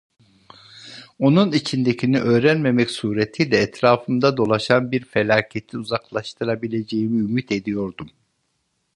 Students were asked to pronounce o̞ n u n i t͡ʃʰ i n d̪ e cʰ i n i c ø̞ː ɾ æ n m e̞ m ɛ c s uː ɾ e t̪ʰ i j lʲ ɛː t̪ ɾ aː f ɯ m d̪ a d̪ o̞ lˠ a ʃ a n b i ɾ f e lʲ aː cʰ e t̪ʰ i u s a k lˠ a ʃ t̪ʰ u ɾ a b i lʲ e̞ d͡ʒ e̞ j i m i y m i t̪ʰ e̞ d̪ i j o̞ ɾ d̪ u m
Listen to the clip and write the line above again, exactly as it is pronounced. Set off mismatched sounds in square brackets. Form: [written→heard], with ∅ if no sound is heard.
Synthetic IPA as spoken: o̞ n u n i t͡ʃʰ i n d̪ e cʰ i n i [c→ʔ] ø̞ː ɾ æ n m e̞ m ɛ c s uː ɾ e t̪ʰ i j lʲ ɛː t̪ ɾ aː f ɯ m d̪ a d̪ o̞ lˠ a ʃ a n b i ɾ f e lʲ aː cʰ e t̪ʰ i u [s→z] a k lˠ a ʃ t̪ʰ [u→ɯ] ɾ a b i lʲ e̞ d͡ʒ e̞ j i m i y m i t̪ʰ e̞ d̪ i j o̞ ɾ d̪ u m